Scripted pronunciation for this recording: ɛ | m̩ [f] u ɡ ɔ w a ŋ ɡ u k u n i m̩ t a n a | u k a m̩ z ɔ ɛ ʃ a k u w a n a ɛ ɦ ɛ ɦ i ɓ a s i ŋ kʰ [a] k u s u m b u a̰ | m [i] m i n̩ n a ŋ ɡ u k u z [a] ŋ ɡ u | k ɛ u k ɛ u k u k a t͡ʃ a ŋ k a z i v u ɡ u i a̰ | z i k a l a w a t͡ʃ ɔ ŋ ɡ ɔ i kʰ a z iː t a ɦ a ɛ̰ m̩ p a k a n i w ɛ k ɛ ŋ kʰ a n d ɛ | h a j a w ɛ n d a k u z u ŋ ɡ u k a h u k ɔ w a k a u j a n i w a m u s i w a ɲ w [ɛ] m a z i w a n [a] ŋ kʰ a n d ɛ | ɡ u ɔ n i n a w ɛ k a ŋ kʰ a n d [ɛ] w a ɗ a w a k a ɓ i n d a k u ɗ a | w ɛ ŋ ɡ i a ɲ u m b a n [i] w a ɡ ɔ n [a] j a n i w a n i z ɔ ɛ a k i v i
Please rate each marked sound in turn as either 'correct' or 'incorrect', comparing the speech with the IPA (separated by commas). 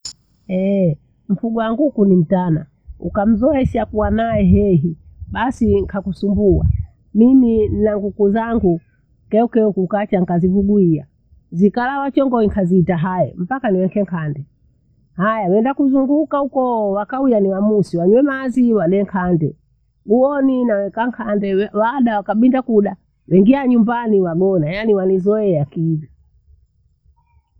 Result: correct, correct, correct, correct, correct, incorrect, correct, correct, correct